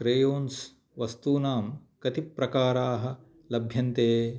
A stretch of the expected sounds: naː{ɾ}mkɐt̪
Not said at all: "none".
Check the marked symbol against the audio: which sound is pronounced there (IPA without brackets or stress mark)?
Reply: none